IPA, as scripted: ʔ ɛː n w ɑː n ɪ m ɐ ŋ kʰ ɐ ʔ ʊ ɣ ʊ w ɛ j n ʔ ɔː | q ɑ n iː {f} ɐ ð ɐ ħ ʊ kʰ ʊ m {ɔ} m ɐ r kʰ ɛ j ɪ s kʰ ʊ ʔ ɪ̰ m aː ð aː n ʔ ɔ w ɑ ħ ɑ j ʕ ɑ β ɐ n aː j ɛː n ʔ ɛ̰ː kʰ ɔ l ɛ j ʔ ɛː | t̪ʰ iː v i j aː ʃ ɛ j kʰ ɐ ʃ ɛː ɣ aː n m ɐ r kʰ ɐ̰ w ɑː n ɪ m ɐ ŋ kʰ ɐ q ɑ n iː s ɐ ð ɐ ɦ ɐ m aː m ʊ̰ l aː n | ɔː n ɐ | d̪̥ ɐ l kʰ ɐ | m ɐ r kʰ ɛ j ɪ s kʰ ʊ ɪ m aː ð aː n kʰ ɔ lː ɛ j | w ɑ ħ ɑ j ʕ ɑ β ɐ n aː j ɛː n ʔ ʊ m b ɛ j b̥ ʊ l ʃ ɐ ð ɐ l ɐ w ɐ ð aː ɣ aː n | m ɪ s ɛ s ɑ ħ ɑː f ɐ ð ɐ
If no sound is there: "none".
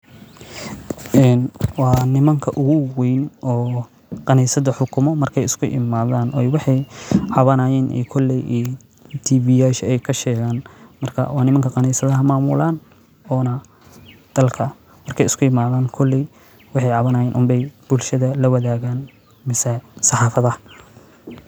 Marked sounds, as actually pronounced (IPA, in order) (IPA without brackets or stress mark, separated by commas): s, ɔ